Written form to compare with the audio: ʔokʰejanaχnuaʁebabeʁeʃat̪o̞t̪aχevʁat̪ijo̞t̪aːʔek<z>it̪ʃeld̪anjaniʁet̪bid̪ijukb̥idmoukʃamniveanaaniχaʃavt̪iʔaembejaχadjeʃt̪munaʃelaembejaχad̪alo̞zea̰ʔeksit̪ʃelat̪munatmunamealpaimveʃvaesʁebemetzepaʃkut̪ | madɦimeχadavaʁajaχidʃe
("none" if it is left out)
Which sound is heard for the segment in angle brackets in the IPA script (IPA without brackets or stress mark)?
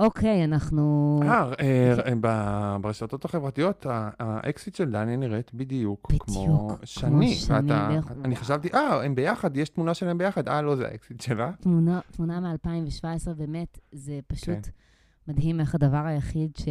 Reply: s